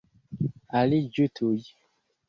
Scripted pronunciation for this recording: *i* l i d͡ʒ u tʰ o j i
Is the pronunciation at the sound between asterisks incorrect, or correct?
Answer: incorrect